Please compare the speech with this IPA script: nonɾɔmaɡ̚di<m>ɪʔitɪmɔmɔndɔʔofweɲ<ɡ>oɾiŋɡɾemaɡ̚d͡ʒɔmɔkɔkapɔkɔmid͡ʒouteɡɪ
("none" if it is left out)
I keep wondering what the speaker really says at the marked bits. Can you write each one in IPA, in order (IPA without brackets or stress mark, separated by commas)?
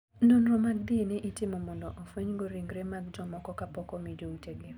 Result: n, ɡ